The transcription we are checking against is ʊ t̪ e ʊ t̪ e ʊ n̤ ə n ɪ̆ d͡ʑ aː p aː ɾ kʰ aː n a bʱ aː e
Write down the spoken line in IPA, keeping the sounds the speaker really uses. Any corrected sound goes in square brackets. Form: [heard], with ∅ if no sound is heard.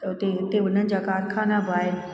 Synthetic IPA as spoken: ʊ t̪ e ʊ t̪ e ʊ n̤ ə n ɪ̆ d͡ʑ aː [k] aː ɾ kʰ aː n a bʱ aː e